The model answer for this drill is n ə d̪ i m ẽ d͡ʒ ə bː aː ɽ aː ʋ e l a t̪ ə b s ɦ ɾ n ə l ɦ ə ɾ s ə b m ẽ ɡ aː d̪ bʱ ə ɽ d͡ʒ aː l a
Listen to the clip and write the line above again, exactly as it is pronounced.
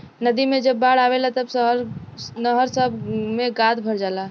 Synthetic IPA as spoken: n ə d̪ i m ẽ d͡ʒ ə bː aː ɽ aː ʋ e l a t̪ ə b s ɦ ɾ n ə ɦ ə ɾ s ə b m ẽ ɡ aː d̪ bʱ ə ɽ d͡ʒ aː l a